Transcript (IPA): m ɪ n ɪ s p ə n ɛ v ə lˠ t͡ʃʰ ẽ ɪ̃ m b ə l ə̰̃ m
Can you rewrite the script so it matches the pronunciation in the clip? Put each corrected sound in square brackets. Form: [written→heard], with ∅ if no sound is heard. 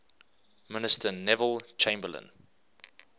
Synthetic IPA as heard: m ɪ n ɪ s [p→t] ə n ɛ v ə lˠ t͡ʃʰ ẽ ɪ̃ m b ə l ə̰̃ [m→n]